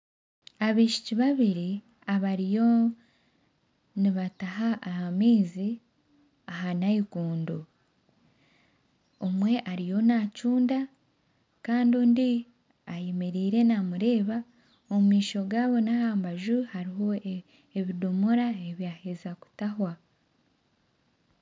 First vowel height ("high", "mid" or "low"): low